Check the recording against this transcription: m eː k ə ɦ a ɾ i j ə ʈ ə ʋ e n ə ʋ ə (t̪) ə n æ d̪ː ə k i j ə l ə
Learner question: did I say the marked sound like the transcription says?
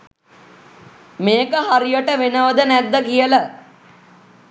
no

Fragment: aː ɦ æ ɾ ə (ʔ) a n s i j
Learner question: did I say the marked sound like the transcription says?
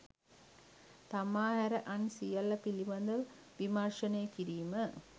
yes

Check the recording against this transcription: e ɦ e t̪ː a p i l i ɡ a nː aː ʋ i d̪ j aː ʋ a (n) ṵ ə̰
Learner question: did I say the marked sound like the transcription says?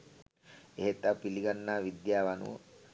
yes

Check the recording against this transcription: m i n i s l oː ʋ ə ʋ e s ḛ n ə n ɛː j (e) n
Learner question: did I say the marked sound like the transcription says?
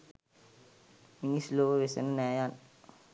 no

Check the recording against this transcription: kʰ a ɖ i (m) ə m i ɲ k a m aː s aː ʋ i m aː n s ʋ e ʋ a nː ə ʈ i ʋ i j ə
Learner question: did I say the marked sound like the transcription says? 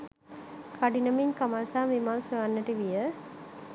no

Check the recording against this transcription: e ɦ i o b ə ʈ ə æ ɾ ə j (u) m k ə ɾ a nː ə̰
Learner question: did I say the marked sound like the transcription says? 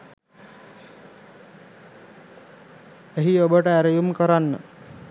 yes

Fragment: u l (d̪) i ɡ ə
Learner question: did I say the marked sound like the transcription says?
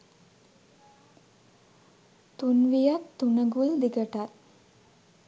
yes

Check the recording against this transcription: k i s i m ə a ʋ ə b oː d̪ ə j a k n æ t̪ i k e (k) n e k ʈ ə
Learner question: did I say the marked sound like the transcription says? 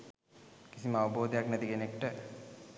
no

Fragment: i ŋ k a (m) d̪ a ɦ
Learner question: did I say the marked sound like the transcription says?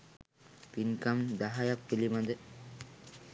yes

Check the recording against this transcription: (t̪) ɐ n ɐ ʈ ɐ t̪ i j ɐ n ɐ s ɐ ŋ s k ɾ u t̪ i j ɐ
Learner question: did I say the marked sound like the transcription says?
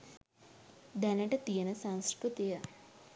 no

